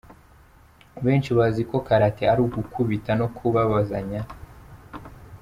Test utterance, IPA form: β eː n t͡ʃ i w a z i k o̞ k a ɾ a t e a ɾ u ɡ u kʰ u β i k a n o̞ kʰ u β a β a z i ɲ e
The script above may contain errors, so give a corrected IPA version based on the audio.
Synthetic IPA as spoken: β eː n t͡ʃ i β a z i k o̞ k a ɾ a t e a ɾ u ɡ u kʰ u β i t a n o̞ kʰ u β a β a z a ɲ a